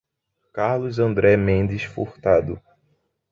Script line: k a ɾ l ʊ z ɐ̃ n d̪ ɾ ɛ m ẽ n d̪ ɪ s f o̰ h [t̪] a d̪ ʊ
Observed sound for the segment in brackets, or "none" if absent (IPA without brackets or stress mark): t̪